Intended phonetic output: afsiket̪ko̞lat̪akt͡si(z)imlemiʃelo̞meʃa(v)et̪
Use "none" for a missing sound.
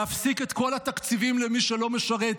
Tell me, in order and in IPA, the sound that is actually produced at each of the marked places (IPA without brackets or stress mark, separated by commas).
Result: v, ʁ